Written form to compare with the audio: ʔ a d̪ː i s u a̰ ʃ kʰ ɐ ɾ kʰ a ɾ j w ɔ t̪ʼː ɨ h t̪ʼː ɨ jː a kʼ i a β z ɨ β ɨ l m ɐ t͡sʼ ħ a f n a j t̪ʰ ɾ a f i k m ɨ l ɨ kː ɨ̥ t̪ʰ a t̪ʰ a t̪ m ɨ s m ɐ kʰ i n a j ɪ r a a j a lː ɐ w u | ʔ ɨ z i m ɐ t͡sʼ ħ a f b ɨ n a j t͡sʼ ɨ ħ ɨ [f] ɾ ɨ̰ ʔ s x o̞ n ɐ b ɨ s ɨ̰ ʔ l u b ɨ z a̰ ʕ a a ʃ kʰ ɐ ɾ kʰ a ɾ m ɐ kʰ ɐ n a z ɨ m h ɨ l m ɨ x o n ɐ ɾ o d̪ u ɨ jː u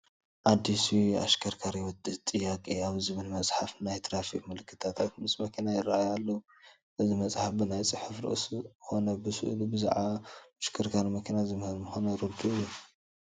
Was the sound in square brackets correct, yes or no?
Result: yes